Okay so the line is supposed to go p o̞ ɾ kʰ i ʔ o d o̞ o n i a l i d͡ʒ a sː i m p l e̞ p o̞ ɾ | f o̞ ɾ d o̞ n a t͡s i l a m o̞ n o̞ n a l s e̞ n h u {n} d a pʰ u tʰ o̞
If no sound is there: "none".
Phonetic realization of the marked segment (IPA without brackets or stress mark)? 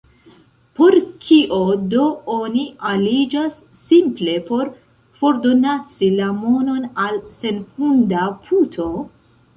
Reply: n